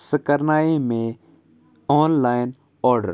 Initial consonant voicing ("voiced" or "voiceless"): voiceless